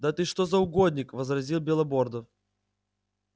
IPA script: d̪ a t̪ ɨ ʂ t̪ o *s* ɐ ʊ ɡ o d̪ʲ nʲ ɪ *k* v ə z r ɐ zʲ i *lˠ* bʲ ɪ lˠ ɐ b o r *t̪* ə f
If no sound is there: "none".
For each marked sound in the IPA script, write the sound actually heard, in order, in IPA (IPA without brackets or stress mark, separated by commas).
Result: z, k, lˠ, d̪